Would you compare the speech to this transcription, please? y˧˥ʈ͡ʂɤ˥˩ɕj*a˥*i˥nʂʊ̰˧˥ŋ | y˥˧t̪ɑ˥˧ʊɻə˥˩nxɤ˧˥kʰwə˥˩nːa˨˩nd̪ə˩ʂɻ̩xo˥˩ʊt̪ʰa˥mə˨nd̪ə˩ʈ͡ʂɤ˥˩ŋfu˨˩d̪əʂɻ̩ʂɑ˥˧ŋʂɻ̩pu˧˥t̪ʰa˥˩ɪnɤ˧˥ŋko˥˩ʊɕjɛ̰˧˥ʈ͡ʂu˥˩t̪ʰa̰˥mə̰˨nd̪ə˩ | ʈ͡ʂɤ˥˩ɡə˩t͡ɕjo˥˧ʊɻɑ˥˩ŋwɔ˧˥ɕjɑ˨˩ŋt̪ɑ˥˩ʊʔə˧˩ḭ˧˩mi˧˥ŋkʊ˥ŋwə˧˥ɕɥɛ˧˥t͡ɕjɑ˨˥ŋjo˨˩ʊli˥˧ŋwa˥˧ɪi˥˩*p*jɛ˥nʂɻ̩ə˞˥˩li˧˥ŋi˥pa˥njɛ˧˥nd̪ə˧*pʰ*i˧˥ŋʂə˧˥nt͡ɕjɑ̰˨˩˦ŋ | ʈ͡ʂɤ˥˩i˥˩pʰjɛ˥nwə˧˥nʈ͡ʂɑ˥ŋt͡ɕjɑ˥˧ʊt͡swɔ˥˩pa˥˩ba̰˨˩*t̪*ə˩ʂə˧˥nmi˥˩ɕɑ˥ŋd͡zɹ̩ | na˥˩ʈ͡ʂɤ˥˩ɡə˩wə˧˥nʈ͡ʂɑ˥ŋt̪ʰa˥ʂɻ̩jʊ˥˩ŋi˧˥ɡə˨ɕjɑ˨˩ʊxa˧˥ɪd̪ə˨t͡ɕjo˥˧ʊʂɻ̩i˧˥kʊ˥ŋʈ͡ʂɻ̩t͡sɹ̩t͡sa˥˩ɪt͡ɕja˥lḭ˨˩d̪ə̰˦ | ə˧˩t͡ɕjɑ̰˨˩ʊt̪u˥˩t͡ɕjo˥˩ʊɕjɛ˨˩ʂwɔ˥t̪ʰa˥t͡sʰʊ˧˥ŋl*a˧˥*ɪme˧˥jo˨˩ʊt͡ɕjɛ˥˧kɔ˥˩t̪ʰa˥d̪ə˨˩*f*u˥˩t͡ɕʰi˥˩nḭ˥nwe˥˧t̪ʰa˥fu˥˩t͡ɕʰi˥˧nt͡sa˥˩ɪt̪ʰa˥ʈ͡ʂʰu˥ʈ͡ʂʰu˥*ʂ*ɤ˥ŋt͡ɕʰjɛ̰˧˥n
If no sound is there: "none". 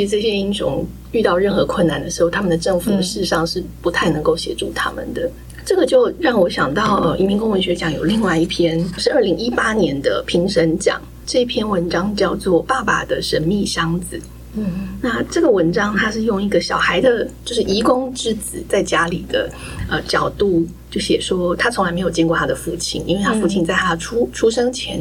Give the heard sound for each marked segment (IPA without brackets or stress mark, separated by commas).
ɛ˥, pʰ, pʰ, d̪, a˧, f, ʂ